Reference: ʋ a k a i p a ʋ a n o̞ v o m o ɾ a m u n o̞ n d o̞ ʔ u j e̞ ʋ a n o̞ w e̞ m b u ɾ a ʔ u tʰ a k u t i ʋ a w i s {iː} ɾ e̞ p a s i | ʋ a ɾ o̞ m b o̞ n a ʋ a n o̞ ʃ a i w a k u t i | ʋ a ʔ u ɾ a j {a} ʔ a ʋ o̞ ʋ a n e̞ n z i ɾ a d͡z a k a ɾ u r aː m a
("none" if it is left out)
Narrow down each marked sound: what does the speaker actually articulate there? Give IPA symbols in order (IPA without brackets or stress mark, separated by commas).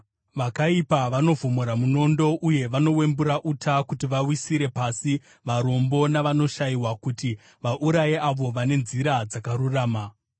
i, e